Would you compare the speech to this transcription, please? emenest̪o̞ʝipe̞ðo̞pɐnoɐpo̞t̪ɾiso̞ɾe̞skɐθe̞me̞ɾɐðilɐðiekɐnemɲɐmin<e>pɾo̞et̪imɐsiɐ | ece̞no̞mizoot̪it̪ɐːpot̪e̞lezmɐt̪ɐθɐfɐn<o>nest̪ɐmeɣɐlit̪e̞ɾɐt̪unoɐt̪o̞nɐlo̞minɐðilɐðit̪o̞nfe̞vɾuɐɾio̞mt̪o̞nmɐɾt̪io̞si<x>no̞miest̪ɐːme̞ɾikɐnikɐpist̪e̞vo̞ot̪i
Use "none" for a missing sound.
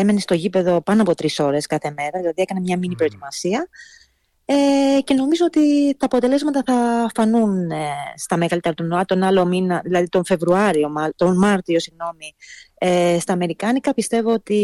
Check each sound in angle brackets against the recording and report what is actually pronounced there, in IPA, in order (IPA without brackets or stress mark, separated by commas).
i, u, ɣ